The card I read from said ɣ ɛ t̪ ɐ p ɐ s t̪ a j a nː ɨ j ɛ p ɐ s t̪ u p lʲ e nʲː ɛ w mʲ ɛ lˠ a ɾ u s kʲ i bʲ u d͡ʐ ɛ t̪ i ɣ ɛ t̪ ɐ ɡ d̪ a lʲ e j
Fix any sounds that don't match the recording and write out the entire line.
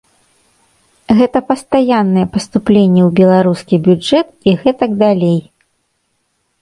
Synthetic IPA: ɣ ɛ t̪ ɐ p ɐ s t̪ a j a nː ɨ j ɛ p ɐ s t̪ u p lʲ e nʲː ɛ w bʲ ɛ lˠ a ɾ u s kʲ i bʲ u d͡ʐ ɛ t̪ i ɣ ɛ t̪ ɐ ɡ d̪ a lʲ e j